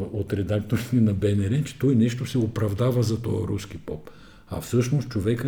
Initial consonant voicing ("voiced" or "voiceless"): voiceless